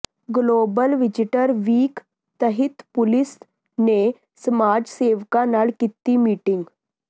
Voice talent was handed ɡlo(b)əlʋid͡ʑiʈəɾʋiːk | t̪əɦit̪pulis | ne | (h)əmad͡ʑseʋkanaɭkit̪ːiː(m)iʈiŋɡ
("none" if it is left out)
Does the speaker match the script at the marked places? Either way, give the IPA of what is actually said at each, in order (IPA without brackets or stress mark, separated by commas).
b, s, m